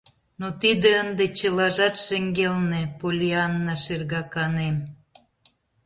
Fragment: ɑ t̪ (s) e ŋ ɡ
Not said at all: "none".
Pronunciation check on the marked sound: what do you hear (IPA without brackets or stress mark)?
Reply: ʃ